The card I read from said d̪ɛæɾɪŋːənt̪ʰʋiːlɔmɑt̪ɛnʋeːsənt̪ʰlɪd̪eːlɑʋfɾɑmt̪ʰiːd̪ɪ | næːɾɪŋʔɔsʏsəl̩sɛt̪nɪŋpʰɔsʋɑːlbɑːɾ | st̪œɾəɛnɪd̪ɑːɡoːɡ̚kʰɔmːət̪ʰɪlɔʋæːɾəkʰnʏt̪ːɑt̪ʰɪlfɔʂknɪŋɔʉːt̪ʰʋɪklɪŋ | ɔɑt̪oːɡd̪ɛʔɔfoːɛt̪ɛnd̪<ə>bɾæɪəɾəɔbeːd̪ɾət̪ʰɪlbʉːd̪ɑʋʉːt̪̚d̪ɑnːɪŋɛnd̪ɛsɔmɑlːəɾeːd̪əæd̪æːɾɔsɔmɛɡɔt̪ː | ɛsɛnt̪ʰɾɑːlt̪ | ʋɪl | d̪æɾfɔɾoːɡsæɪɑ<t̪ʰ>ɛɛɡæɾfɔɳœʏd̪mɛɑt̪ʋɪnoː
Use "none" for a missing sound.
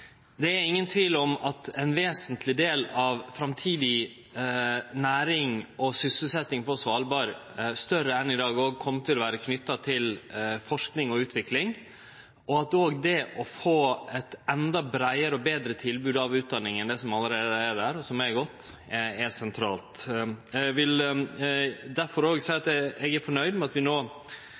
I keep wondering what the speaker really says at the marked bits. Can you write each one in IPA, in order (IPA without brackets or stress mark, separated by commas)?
ɑ, t̪